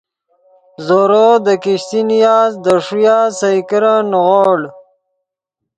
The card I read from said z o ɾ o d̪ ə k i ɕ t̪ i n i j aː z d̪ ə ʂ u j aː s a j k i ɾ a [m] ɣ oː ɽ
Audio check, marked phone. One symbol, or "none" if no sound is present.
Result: n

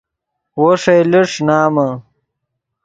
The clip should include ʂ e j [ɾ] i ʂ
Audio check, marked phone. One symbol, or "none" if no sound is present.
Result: l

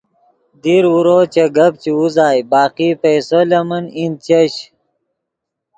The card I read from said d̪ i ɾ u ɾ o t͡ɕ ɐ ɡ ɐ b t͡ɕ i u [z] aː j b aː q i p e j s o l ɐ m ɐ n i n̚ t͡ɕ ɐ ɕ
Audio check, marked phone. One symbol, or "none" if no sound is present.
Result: z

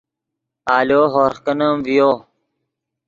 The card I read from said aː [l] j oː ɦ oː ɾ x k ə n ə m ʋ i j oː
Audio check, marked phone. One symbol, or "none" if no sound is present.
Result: l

